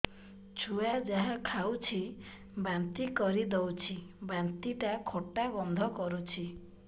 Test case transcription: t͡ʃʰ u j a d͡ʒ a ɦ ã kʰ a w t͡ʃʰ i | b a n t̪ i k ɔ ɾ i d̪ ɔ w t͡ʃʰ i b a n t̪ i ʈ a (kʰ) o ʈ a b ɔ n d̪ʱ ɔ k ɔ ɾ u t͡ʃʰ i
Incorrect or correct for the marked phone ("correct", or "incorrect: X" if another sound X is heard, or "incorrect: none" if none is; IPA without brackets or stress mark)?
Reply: correct